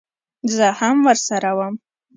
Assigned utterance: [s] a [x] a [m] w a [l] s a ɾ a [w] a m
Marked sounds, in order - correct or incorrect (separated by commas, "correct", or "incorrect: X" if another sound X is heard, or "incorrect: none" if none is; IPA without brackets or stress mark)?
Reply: incorrect: z, incorrect: ħ, correct, incorrect: r, correct